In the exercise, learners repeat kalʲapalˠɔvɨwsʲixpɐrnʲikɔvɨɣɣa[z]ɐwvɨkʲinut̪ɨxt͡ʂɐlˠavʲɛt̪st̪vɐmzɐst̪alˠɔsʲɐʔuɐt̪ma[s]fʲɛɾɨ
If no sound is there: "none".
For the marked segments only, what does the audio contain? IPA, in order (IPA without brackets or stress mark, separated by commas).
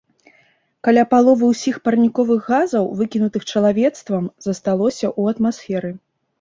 z, s